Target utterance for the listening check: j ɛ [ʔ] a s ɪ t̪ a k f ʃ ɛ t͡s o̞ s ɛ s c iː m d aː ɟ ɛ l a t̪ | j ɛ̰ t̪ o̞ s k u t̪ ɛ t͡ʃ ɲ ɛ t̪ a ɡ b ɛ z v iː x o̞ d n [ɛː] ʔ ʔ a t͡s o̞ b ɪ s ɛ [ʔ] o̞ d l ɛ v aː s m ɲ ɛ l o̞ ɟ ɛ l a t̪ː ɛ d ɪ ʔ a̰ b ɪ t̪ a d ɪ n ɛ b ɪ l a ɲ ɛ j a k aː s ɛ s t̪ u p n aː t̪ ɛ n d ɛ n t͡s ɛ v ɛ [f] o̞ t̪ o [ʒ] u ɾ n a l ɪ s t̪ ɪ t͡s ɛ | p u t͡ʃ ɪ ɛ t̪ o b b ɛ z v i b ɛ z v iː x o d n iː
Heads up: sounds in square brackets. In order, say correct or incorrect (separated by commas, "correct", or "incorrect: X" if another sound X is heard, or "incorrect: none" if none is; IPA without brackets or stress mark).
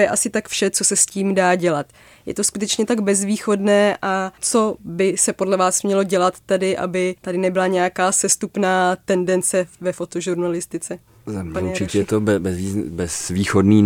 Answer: correct, correct, incorrect: p, correct, correct